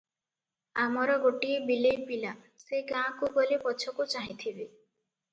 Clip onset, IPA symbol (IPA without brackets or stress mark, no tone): a